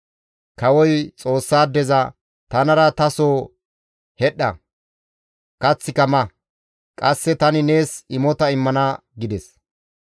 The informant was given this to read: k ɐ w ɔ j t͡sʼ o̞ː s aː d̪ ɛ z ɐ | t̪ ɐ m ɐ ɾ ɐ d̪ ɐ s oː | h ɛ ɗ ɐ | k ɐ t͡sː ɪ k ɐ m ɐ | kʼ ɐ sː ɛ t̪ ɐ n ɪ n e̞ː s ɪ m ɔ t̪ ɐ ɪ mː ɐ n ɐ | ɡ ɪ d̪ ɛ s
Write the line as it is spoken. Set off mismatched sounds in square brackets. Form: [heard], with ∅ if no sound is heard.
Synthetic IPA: k ɐ w ɔ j t͡sʼ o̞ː [sː] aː d̪ ɛ z ɐ | t̪ ɐ [n] ɐ ɾ ɐ [t̪] ɐ s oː | h ɛ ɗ ɐ | k ɐ t͡sː ɪ k ɐ m ɐ | kʼ ɐ sː ɛ t̪ ɐ n ɪ n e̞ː s ɪ m ɔ t̪ ɐ ɪ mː ɐ n ɐ | ɡ ɪ d̪ ɛ s